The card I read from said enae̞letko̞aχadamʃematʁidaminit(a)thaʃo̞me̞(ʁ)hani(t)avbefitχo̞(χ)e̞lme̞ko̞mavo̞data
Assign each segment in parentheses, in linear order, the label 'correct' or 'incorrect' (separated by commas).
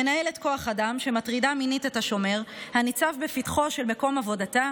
incorrect, correct, incorrect, incorrect